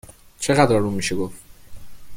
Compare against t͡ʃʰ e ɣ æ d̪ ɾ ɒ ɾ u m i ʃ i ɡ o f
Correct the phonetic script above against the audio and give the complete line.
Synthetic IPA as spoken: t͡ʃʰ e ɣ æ d̪ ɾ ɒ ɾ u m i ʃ e ɡ o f